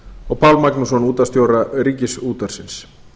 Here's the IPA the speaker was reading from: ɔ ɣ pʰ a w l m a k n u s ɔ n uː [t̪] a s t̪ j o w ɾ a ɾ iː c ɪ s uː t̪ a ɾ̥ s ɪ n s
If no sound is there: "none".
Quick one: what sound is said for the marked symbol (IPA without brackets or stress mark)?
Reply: t̪